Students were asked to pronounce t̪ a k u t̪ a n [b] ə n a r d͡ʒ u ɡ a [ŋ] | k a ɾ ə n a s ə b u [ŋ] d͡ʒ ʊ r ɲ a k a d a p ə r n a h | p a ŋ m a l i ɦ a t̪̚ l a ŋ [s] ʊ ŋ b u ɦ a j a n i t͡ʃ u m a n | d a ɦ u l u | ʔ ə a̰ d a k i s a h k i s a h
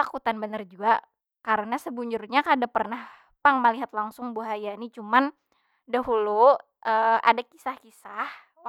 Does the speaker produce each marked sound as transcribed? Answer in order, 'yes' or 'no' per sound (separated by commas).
yes, no, no, yes